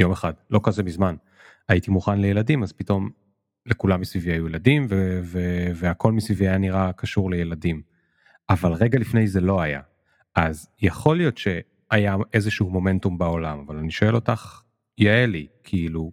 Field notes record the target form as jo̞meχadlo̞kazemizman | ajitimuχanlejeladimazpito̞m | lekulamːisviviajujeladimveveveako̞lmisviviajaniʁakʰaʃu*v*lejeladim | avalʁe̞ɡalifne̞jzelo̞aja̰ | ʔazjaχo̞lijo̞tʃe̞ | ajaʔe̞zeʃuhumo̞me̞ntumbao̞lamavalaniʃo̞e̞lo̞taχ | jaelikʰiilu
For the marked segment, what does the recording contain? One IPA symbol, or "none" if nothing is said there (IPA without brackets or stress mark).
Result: ʁ